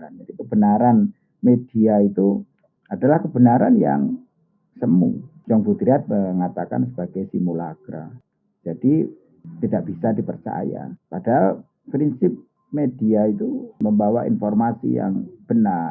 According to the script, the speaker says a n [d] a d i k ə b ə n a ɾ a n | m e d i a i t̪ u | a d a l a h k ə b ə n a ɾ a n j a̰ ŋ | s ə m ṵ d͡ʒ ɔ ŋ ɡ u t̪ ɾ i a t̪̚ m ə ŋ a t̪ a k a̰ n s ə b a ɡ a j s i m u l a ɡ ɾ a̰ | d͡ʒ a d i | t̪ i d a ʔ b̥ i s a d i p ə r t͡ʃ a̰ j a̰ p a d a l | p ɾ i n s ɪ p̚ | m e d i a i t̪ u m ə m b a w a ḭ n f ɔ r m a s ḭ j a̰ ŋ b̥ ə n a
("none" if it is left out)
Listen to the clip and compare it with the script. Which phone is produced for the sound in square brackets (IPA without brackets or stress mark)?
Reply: d͡ʒ